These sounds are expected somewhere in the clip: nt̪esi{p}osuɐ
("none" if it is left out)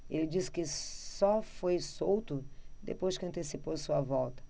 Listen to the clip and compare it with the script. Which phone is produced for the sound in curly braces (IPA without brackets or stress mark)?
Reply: p